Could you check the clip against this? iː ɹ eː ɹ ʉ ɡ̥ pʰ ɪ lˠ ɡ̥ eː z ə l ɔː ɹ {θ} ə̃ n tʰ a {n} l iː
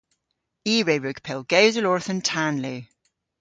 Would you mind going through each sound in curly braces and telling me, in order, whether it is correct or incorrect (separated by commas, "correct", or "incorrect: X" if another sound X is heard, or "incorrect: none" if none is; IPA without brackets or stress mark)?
correct, correct